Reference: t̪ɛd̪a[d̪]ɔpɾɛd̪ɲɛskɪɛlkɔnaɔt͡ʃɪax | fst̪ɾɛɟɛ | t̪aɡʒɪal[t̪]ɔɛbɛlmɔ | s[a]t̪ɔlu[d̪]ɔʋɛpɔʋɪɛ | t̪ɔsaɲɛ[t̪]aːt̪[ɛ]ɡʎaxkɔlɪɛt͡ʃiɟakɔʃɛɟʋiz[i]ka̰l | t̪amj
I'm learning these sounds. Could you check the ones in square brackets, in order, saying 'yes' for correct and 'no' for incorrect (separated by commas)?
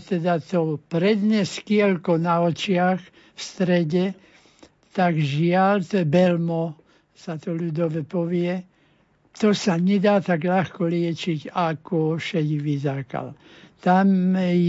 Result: no, yes, yes, yes, no, no, no